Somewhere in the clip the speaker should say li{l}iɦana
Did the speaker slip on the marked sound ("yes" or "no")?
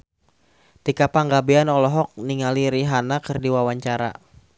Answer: yes